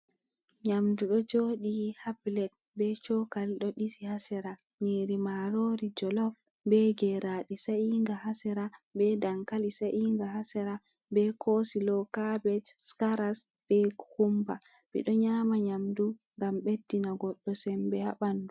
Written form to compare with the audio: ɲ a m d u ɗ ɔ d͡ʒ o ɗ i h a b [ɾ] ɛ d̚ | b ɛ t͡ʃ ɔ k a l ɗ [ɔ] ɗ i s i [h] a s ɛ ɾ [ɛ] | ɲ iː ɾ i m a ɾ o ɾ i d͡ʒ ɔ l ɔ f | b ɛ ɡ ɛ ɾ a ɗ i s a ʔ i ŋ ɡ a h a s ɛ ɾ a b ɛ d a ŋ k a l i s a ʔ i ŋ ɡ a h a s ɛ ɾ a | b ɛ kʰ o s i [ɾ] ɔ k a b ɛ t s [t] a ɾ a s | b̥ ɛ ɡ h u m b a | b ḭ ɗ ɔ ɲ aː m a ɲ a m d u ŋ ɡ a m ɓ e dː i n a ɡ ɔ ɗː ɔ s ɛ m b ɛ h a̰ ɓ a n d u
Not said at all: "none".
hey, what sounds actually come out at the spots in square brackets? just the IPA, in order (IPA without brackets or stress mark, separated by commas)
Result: l, ɔ, h, a, l, k